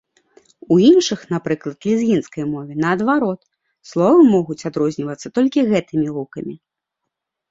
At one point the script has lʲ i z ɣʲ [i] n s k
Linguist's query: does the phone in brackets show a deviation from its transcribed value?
no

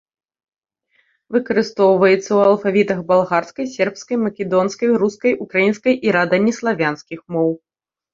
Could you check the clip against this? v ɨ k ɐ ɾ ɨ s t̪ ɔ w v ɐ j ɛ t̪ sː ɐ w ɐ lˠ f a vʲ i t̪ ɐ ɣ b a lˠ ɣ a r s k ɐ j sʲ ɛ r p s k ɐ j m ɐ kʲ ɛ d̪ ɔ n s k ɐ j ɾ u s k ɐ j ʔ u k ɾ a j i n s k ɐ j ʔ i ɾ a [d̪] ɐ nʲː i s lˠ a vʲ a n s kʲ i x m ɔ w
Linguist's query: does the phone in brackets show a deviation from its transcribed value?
no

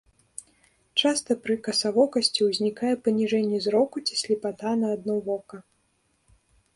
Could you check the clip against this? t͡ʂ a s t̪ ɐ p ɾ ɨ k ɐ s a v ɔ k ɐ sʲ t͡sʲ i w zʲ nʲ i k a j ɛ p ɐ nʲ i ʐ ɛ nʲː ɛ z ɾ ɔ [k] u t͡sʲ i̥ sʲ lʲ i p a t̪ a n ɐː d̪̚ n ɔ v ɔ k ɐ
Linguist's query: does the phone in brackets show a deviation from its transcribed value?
no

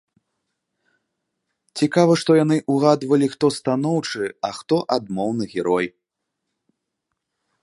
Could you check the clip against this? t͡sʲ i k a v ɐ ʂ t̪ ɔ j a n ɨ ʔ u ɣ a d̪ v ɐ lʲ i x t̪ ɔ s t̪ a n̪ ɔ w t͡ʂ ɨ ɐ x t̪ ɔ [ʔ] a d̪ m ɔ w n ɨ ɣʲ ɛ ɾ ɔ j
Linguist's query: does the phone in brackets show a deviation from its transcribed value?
no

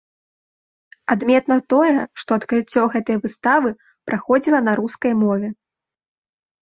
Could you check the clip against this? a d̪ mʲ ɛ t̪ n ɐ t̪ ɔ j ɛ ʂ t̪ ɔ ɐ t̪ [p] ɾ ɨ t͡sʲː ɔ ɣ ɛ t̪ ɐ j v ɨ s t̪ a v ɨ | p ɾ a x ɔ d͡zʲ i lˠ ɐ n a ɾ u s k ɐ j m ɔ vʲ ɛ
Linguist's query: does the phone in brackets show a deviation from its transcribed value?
yes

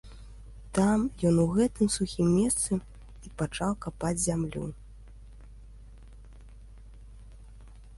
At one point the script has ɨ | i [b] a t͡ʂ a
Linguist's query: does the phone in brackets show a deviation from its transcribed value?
yes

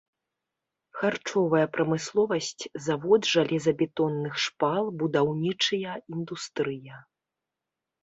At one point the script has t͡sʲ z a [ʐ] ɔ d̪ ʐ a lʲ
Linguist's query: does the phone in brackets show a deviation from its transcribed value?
yes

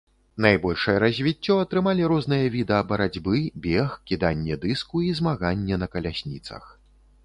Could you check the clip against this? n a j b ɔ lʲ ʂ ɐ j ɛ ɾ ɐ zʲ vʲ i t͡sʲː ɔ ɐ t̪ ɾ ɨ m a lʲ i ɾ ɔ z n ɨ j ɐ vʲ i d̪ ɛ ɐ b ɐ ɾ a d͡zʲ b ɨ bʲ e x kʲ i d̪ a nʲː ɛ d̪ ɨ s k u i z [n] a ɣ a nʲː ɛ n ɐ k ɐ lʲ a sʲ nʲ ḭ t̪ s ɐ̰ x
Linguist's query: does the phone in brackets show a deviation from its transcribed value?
yes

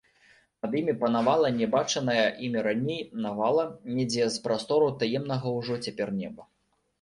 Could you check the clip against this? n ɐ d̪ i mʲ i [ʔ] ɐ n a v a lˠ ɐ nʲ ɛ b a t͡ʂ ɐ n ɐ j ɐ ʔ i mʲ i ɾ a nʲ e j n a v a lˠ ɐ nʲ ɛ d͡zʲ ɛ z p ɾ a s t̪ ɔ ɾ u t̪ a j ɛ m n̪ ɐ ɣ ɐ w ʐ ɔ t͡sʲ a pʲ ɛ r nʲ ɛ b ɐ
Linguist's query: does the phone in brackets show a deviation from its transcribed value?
yes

